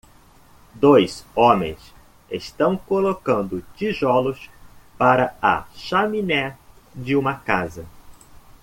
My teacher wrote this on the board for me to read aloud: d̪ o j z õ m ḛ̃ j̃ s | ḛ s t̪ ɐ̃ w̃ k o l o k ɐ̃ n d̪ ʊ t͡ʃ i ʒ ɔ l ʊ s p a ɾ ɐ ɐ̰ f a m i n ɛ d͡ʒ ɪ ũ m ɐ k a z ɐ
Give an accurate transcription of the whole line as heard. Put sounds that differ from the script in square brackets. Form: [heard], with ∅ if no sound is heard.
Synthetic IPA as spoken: d̪ o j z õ m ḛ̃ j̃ s | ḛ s t̪ ɐ̃ w̃ k o l o k ɐ̃ n d̪ ʊ t͡ʃ i ʒ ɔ l ʊ s p a ɾ ɐ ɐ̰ [ʃ] a m i n ɛ d͡ʒ ɪ ũ m ɐ k a z ɐ